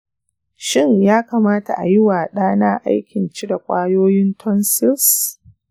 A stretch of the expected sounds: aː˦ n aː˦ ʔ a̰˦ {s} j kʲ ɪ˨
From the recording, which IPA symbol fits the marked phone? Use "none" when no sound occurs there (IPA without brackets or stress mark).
none